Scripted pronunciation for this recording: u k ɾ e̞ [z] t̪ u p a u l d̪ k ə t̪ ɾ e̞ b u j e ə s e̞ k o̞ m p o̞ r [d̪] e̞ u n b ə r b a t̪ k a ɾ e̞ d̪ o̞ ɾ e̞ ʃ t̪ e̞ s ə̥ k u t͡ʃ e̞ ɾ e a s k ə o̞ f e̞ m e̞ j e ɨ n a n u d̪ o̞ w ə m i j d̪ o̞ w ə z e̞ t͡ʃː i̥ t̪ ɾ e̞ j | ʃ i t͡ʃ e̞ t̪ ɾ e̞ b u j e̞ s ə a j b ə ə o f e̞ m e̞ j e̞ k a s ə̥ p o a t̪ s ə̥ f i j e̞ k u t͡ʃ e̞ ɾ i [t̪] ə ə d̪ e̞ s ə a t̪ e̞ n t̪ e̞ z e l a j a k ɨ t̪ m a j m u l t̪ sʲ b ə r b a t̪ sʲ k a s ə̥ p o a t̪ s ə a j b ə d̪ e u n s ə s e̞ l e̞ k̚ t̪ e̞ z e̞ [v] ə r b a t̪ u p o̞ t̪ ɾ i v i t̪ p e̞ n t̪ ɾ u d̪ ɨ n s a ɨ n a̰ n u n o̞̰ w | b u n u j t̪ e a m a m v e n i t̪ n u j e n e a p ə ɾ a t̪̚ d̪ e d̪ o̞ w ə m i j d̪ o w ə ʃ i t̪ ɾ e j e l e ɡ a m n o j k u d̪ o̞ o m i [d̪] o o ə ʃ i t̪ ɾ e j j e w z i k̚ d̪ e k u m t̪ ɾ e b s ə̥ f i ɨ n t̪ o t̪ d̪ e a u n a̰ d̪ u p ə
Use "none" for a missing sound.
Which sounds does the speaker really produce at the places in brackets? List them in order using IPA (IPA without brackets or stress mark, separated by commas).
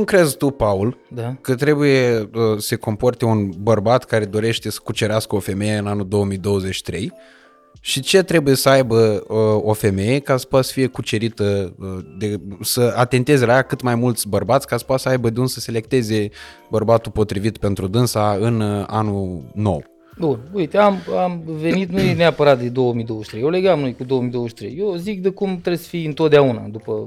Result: z, t̪, t̪, b, d̪